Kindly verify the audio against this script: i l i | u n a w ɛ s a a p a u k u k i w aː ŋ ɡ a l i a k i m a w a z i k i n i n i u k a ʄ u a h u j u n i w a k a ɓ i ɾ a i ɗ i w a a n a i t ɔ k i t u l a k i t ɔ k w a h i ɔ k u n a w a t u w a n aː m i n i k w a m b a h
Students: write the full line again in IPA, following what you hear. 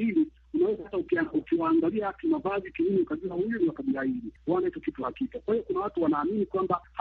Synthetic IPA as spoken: i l i | u n a w ɛ z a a t a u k u k i w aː ŋ ɡ a l i a k i m a v a z i k i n i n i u k a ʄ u a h u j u n i w a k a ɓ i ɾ a i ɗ i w a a n a i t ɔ k i t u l a k i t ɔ k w a h i ɔ k u n a w a t u w a n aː m i n i k w a m b a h